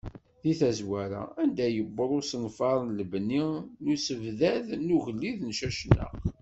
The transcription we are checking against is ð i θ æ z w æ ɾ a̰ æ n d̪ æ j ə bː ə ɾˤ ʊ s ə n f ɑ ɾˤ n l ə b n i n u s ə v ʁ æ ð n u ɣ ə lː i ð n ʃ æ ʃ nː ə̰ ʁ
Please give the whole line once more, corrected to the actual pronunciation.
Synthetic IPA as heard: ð i θ æ z w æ ɾ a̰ æ n d̪ æ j ə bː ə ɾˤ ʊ s ə n f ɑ ɾˤ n l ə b n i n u s ə v ð æ ð n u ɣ ə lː i ð n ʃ æ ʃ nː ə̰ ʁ